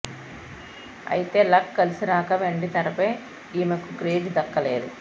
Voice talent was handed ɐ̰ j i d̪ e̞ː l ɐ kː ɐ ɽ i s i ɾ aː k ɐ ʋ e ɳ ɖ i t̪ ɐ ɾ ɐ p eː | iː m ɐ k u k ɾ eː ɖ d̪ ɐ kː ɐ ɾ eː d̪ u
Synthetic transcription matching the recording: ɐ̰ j i t̪ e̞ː l ɐ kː ɐ l i s i ɾ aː k ɐ ʋ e ɳ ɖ i t̪ ɐ ɾ ɐ p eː | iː m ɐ k u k ɾ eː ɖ d̪ ɐ kː ɐ l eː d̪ u